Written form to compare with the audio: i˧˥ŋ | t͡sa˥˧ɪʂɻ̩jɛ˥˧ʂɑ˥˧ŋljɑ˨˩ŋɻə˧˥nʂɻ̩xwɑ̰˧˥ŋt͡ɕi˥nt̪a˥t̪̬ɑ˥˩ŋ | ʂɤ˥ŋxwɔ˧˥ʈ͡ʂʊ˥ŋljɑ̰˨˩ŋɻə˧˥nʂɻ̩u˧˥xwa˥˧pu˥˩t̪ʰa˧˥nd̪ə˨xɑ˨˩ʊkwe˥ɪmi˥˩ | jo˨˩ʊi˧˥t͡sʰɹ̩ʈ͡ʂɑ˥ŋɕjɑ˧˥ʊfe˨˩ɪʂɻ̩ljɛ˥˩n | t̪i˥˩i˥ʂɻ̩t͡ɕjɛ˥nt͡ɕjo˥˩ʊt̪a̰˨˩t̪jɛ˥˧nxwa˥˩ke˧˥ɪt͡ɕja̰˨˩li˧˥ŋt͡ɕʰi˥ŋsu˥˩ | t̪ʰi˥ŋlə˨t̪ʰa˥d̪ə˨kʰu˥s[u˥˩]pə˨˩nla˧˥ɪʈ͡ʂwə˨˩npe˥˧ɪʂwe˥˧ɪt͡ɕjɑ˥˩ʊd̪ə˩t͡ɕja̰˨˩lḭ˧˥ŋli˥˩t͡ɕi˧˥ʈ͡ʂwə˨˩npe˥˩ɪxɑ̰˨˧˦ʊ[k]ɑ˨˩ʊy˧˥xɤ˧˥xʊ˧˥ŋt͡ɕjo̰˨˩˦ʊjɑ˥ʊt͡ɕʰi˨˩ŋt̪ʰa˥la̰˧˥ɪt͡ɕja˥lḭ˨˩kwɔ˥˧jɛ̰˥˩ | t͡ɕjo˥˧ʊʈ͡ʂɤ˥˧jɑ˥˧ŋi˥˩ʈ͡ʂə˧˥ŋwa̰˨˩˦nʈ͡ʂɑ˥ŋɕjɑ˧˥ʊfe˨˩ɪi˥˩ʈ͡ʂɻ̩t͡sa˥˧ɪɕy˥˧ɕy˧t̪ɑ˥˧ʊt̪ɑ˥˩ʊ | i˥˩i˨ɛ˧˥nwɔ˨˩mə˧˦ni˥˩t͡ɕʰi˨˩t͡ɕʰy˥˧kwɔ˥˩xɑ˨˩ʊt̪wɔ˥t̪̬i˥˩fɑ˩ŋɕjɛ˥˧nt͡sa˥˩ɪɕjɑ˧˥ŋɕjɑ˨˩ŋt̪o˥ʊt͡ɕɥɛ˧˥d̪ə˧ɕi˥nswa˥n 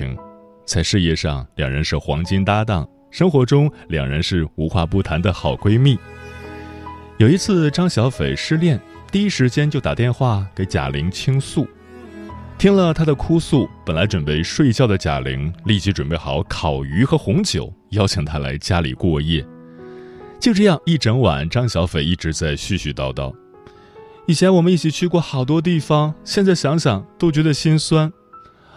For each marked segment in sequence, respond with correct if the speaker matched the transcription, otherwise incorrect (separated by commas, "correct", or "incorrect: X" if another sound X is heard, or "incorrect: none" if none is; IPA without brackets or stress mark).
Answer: correct, incorrect: kʰ